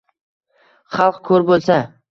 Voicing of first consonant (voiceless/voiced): voiceless